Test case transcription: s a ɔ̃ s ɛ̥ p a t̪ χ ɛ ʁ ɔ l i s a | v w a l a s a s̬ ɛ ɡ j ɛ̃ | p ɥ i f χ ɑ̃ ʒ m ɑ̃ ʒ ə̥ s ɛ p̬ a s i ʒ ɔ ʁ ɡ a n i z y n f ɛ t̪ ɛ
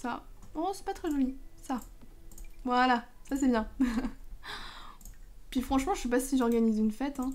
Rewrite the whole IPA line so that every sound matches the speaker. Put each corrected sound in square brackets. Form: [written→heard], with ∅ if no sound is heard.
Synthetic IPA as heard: s a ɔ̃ s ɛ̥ p a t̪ χ ɛ [ʁ→ʒ] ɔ l i s a | v w a l a s a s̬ ɛ [ɡ→b] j ɛ̃ | p ɥ i f χ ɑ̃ [ʒ→ʃ] m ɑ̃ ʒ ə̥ s ɛ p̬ a s i ʒ ɔ ʁ ɡ a n i z y n f ɛ t̪ [ɛ→ɛ̃]